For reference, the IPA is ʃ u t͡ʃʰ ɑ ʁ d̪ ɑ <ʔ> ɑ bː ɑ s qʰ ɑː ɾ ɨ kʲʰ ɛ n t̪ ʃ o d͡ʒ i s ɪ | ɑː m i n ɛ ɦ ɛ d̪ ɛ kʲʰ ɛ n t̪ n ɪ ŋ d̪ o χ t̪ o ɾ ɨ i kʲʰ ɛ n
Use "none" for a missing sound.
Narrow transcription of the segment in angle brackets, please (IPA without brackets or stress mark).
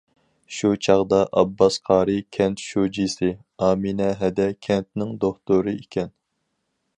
ʔ